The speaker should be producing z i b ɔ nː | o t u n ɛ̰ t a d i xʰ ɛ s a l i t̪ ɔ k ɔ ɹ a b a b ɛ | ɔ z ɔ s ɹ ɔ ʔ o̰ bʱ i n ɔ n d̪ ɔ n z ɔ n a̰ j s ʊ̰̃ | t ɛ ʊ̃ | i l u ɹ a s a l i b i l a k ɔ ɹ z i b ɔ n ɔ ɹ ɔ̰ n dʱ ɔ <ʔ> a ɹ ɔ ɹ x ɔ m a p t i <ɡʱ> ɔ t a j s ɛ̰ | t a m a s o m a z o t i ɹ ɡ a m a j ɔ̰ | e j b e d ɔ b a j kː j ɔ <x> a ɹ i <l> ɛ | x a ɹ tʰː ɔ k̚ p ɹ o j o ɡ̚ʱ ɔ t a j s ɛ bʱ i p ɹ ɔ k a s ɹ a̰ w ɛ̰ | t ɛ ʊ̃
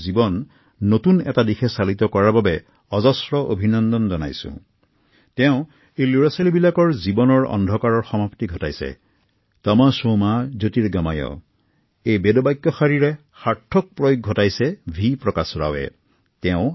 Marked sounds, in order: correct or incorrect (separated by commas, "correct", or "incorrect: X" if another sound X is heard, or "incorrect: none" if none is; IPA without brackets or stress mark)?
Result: incorrect: k, correct, correct, incorrect: ɹ